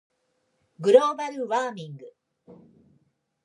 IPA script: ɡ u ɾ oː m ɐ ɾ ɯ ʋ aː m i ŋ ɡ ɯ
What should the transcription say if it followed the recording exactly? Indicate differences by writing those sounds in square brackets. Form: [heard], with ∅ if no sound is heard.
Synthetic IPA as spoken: ɡ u ɾ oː [b] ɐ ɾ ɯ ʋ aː m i ŋ ɡ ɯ